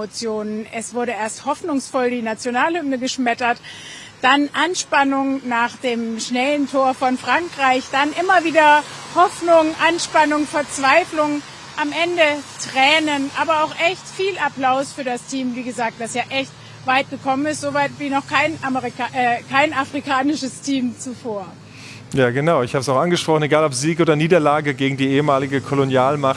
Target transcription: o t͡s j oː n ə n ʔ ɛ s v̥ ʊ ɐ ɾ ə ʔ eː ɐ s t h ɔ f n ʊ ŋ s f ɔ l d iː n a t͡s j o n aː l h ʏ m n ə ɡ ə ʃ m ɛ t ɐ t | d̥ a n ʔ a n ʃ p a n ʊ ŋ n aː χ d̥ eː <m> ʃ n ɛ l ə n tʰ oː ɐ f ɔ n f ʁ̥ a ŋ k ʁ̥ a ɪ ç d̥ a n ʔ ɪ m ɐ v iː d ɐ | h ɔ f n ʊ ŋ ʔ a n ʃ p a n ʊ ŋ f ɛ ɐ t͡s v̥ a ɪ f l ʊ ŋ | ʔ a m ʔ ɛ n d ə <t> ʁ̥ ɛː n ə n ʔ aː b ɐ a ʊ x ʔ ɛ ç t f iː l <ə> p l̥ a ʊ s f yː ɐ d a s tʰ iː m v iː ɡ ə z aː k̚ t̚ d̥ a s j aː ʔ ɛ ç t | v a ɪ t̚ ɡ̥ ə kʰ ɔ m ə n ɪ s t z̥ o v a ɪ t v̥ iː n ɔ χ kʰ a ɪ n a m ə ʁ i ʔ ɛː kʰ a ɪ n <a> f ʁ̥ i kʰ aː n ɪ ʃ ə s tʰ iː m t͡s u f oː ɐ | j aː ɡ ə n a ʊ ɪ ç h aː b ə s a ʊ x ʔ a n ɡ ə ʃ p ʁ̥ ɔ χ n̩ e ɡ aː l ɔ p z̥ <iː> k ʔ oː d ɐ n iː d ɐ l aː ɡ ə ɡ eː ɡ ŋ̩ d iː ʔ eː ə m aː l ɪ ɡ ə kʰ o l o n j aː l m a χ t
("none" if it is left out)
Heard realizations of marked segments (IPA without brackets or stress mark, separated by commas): m, t, a, a, iː